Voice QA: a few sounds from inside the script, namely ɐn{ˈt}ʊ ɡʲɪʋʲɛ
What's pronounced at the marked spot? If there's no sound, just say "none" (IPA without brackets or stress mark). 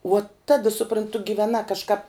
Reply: t